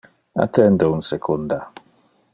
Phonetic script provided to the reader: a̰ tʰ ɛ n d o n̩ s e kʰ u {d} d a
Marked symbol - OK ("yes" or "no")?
no